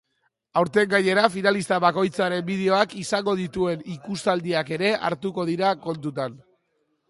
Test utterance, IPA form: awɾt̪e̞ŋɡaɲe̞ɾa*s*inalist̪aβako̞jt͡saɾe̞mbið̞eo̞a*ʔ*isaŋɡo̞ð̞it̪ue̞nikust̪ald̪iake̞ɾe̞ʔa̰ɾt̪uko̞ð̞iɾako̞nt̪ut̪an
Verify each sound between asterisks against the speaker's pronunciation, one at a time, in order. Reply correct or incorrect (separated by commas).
incorrect, incorrect